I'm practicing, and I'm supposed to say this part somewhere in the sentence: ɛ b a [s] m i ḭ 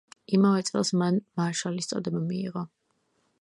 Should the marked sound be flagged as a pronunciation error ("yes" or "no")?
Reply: yes